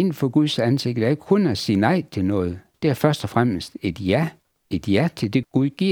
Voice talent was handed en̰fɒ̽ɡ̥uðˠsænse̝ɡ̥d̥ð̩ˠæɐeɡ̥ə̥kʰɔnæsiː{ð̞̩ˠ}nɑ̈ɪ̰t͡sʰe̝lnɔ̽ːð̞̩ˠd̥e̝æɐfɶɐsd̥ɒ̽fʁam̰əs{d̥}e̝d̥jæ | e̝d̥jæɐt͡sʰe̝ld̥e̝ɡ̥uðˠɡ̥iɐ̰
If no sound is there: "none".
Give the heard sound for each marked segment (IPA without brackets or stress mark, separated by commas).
none, d̥